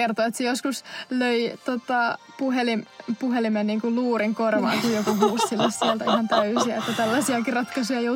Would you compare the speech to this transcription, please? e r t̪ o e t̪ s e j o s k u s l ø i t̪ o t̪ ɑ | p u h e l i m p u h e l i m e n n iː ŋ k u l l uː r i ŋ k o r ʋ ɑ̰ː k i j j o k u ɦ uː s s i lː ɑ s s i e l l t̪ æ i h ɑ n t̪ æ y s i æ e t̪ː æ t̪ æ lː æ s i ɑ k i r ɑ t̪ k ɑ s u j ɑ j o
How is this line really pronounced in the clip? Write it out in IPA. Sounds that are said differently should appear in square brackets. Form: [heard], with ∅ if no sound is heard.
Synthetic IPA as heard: e r t̪ o e t̪ s e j o s k u s l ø i t̪ o t̪ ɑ | p u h e l i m p u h e l i m e n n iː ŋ k u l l uː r i ŋ k o r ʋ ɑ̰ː k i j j o k u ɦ uː s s i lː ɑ s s i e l l t̪ æ i h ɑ n t̪ æ y s i æ e t̪ː æ t̪ æ lː æ s i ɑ k i r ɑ t̪ k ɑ s u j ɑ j o